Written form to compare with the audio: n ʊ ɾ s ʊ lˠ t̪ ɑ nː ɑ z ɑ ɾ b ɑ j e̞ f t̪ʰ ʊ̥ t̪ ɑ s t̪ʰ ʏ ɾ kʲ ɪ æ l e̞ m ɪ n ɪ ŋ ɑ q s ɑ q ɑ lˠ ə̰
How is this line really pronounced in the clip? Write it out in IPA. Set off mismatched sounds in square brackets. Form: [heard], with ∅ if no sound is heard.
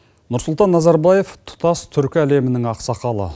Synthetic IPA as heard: n ʊ ɾ s ʊ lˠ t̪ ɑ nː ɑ z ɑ ɾ b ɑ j e̞ f t̪ʰ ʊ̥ t̪ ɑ s t̪ʰ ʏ ɾ kʲ ɪ æ l e̞ m ɪ n ɪ ŋ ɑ q s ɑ q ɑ lˠ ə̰